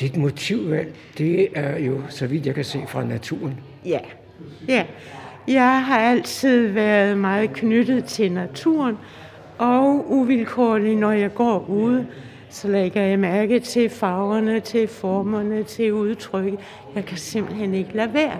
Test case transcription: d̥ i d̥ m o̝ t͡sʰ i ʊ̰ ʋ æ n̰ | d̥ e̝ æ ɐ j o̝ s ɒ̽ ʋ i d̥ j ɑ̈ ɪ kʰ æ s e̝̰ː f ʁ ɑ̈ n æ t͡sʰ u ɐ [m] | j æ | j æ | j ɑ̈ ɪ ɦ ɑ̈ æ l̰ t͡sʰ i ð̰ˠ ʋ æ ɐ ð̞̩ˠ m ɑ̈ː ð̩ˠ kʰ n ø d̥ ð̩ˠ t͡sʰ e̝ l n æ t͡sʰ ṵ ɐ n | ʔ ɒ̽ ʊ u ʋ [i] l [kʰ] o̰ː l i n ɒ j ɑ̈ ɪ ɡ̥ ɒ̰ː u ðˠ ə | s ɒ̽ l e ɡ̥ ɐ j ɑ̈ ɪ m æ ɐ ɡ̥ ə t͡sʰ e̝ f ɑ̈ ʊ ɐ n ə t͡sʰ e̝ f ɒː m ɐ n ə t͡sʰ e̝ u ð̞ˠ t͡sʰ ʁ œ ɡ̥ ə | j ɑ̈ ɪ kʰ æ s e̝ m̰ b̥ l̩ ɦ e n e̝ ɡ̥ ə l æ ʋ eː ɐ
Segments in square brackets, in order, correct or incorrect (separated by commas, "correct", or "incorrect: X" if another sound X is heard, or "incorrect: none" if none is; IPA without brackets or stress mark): incorrect: n, correct, correct